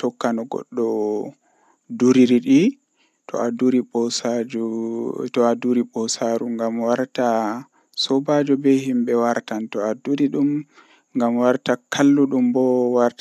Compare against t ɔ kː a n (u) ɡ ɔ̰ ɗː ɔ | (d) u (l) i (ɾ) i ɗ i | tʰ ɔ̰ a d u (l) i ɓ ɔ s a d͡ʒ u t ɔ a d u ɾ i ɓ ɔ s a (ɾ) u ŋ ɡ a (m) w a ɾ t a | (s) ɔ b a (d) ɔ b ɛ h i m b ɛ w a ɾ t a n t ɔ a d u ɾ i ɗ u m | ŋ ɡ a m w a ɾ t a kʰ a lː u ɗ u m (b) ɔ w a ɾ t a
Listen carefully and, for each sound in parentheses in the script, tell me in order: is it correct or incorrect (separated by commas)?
incorrect, correct, incorrect, correct, incorrect, correct, correct, correct, incorrect, correct